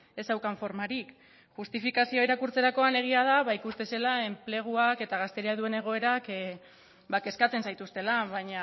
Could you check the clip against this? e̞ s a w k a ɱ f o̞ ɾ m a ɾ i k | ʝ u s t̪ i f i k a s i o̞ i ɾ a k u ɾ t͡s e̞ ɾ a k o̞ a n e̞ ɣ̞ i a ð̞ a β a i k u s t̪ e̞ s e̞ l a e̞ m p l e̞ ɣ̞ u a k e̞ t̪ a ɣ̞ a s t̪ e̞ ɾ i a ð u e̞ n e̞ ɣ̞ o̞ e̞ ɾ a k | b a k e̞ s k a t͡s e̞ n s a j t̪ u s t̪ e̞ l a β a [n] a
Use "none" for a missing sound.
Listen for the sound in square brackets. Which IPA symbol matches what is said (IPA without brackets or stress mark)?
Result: ɲ